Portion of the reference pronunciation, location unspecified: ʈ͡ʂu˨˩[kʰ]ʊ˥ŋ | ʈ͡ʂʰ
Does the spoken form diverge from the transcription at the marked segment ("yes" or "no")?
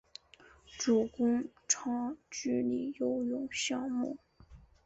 yes